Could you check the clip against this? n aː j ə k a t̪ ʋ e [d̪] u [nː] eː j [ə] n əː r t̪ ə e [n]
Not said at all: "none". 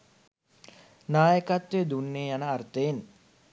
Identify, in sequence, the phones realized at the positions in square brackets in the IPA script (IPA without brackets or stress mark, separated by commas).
d̪, nː, a, n